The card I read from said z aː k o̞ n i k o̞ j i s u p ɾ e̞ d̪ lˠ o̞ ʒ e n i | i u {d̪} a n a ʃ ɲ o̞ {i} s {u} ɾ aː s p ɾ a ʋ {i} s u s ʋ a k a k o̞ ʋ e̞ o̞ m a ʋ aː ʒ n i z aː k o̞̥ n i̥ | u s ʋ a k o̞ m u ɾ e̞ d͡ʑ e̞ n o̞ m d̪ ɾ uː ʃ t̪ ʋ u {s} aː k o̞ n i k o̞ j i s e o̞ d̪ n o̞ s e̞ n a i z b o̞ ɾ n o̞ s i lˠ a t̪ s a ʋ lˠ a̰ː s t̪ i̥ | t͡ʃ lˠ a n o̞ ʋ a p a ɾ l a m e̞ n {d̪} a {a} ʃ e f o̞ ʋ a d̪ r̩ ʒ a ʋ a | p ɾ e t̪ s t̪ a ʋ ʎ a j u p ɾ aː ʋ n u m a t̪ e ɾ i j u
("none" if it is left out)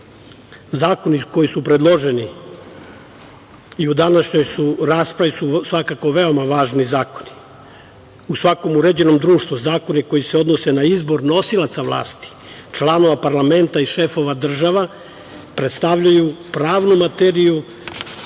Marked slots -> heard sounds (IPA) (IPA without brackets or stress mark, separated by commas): d̪, j, u, i, z, t̪, i